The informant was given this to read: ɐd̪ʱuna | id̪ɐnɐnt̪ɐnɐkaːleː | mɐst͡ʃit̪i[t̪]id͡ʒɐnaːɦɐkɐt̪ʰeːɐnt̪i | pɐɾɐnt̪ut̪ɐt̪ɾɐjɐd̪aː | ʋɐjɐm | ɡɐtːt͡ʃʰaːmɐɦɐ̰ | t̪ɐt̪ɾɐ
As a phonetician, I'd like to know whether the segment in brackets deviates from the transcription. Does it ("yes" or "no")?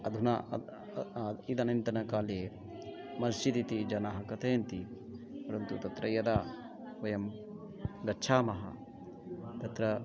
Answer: no